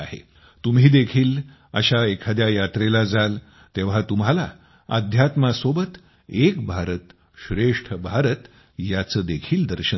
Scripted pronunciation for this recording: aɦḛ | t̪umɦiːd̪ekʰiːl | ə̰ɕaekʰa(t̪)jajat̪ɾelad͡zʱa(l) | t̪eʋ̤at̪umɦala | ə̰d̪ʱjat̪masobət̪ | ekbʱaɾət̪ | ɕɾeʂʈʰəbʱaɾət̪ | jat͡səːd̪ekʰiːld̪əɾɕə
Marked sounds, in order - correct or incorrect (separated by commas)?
incorrect, correct